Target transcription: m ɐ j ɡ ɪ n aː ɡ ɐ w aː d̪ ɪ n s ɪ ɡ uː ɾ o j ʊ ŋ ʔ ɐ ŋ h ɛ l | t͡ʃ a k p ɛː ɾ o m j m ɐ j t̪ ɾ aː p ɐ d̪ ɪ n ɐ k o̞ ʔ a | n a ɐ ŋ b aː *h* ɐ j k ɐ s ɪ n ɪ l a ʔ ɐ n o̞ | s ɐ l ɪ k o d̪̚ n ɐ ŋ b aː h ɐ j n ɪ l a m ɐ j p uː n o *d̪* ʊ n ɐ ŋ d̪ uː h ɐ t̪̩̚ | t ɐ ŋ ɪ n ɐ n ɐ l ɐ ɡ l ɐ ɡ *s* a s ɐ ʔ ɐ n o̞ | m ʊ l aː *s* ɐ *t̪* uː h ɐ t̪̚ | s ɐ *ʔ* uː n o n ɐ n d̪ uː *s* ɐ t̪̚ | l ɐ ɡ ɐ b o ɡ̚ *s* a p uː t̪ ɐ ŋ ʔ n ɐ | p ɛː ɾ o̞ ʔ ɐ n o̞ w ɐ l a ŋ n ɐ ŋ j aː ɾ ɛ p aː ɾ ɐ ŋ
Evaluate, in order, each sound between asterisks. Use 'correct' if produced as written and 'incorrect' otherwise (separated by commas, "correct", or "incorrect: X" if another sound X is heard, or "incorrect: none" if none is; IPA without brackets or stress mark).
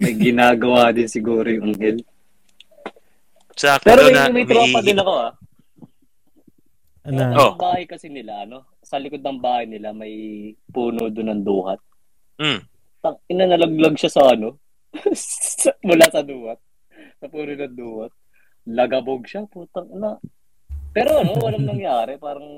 correct, correct, incorrect: ʃ, correct, incorrect: d̪, incorrect: p, incorrect: h, incorrect: ʃ